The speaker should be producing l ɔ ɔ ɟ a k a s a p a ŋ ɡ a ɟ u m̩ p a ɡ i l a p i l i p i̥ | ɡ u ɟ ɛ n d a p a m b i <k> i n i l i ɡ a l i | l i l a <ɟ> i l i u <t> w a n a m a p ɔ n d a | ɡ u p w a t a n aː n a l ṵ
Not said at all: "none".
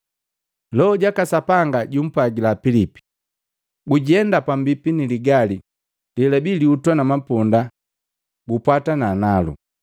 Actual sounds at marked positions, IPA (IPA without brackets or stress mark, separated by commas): p, b, t